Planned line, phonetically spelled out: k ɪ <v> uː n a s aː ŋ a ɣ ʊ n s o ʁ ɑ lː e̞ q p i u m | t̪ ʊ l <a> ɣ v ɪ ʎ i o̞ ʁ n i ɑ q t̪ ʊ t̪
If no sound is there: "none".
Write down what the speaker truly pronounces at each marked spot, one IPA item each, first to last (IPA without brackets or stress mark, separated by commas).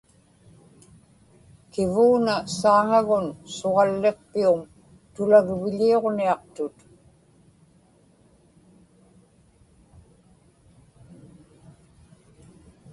v, a